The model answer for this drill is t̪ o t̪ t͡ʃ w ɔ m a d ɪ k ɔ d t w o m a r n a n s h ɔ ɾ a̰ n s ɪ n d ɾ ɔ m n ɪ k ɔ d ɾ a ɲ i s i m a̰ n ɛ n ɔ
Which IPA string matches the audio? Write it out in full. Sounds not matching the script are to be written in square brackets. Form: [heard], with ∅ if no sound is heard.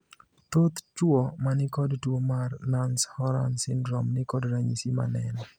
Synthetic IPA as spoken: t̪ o t̪ t͡ʃ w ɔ m a [n] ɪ k ɔ d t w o m a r n a n s h ɔ ɾ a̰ n s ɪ n d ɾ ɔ m n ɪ k ɔ d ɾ a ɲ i s i m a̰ n ɛ n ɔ